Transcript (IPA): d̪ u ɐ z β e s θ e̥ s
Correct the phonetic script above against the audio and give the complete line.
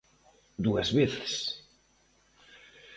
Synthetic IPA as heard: d̪ u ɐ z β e θ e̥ s